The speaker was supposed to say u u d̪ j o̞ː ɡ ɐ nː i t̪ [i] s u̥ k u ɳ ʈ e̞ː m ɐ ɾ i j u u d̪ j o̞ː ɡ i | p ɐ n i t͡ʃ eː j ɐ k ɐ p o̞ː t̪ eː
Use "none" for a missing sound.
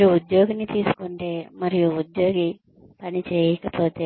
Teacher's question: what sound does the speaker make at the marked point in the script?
iː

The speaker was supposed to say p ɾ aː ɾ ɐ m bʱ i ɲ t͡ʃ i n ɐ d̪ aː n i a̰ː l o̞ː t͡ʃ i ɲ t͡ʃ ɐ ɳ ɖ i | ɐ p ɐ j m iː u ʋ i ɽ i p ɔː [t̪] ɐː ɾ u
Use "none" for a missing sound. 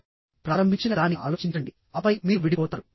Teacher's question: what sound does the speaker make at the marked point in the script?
t̪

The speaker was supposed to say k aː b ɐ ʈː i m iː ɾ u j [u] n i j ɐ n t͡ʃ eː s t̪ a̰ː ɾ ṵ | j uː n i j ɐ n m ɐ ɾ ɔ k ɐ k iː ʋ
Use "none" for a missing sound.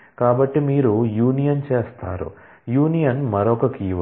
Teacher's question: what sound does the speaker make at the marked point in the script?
uː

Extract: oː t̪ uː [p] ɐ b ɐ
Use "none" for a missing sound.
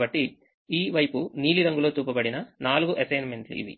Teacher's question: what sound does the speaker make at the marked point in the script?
p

